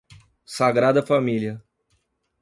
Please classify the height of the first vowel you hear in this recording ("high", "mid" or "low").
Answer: low